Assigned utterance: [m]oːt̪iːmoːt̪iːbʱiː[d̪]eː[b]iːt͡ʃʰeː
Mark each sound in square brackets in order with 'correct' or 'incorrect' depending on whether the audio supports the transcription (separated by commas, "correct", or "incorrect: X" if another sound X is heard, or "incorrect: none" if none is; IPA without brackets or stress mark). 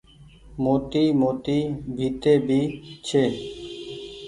correct, incorrect: t̪, correct